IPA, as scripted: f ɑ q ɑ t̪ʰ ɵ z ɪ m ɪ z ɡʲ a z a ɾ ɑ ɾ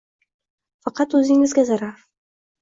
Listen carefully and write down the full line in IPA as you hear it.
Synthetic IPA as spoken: f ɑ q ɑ t̪ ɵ z ɪ ŋ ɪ z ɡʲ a z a ɾ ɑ ɾ